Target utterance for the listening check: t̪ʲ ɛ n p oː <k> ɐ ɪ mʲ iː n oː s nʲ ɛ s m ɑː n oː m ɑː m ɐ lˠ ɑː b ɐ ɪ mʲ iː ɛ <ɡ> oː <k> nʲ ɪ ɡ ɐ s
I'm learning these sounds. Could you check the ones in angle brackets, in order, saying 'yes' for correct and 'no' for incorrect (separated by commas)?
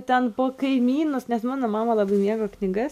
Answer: yes, yes, yes